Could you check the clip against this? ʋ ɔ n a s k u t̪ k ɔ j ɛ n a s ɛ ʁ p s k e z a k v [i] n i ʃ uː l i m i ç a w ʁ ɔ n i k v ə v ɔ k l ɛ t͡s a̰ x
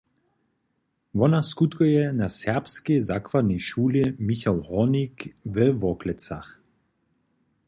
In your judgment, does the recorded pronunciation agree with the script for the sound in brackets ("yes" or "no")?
no